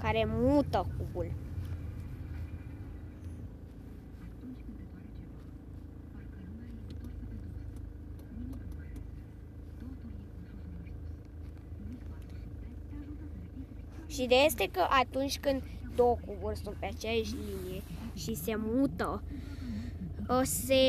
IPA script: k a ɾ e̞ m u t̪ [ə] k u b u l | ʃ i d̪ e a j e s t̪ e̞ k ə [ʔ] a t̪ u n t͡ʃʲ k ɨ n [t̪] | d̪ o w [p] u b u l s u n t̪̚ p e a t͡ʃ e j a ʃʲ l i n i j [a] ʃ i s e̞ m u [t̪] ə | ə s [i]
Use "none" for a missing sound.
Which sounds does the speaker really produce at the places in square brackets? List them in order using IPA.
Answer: ə, ʔ, d̪, k, e, t̪, e

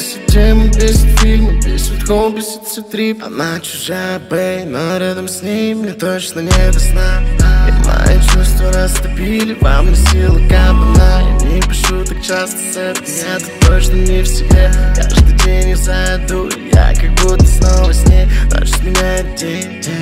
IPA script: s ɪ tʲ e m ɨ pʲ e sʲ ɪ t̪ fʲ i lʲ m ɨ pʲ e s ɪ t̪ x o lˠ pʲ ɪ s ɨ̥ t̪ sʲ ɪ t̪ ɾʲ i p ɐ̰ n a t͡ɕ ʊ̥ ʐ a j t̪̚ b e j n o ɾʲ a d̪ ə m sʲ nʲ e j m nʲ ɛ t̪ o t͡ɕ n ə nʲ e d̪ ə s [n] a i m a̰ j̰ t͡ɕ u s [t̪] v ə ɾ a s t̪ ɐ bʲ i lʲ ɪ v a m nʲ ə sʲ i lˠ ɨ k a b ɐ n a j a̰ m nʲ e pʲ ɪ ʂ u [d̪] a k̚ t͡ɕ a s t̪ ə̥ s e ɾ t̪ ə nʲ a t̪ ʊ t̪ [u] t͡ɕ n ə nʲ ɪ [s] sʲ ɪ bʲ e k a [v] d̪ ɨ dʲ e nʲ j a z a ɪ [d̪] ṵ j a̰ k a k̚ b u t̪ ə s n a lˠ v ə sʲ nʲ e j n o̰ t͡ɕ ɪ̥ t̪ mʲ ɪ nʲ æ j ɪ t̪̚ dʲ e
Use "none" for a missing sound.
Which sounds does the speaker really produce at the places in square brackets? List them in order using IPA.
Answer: n, t̪, t̪, o, f, ʐ, d̪

